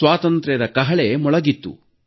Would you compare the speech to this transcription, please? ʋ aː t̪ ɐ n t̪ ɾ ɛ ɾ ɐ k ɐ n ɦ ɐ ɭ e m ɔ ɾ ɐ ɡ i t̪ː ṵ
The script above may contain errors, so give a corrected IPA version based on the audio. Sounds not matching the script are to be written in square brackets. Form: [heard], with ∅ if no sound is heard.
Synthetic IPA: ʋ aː t̪ ɐ n t̪ ɾ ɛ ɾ ɐ k ɐ [∅] ɦ ɐ ɭ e m ɔ [ɭ] ɐ ɡ i t̪ː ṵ